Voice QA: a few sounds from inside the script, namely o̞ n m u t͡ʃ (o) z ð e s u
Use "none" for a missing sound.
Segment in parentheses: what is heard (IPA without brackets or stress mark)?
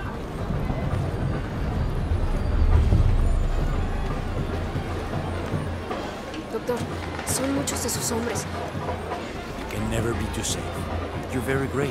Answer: o